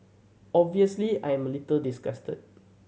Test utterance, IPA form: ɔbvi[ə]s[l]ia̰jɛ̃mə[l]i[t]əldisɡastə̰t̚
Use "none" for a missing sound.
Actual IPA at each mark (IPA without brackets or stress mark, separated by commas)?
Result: ə, l, l, t